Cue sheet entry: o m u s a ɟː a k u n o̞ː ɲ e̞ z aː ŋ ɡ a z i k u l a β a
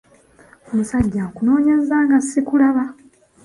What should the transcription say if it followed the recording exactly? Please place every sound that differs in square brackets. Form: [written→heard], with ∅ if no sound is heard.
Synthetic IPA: o m u s a ɟː a k u n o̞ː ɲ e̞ z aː ŋ ɡ a [z→s] i k u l a β a